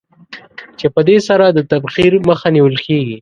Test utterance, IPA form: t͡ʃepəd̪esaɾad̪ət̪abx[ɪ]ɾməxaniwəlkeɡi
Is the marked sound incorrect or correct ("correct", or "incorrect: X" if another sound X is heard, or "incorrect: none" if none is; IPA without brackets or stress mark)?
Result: incorrect: i